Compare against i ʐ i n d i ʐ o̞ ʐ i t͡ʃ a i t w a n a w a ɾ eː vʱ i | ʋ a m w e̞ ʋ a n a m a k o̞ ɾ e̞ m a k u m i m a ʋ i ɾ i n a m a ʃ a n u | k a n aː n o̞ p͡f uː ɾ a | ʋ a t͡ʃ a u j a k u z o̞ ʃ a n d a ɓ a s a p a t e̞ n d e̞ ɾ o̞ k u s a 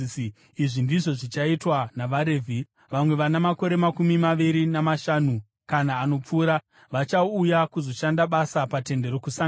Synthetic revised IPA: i ʐ i n d i ʐ o̞ ʐ i t͡ʃ a i t w a n a ʋ a ɾ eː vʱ i | ʋ a m w e̞ ʋ a n a m a k o̞ ɾ e̞ m a k u m i m a ʋ i ɾ i n a m a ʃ a n u | k a n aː n o̞ p͡f uː ɾ a | ʋ a t͡ʃ a u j a k u z o̞ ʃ a n d a ɓ a s a p a t e̞ n d e̞ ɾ o̞ k u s a